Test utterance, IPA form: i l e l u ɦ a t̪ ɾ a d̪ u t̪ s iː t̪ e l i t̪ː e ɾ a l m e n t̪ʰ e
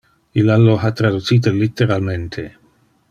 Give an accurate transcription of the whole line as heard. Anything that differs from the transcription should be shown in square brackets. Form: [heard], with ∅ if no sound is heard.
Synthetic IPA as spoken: i l [a] l [o] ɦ a t̪ ɾ a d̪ u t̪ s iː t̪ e l i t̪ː e ɾ a l m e n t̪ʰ e